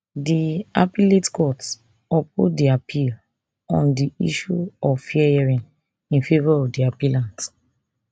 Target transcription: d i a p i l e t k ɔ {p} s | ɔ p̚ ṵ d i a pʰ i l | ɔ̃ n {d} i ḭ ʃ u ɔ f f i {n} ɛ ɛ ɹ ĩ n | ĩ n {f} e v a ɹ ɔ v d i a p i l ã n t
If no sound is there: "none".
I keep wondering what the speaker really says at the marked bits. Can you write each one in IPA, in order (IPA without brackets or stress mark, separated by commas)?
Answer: t, d, none, f